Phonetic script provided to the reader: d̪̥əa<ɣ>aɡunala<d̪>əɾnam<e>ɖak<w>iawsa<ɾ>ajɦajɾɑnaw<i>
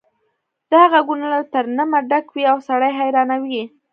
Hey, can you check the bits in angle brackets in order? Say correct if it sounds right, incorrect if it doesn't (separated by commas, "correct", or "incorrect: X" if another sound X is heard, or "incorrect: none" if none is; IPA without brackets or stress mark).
correct, incorrect: t̪, incorrect: a, correct, incorrect: ɽ, correct